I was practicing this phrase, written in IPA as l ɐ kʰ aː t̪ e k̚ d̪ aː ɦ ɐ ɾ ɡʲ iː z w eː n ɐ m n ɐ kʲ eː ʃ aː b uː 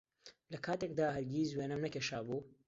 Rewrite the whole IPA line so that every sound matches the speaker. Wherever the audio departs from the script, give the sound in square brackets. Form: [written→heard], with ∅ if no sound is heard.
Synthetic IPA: l ɐ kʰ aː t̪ e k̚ d̪ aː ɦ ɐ ɾ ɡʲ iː z w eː n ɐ m n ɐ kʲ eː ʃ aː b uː